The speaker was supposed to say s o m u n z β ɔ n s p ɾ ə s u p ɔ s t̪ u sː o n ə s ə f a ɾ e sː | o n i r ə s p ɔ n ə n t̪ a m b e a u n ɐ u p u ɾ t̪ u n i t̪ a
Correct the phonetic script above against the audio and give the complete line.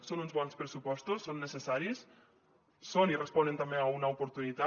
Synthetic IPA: s o n u n z β ɔ n s p ɾ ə s u p ɔ s t̪ u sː o nː ə s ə s a ɾ i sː | o n i r ə s p ɔ n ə n t̪ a m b e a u n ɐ u p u ɾ t̪ u n i t̪ a